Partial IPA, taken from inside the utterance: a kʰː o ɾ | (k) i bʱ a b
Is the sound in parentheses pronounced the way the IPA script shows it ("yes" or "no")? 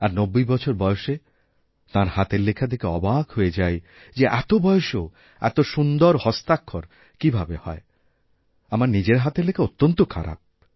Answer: yes